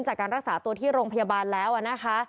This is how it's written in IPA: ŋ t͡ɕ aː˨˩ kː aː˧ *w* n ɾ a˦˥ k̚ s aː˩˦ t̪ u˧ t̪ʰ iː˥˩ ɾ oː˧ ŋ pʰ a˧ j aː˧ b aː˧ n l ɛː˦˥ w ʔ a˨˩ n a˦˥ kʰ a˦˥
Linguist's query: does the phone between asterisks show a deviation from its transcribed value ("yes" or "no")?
yes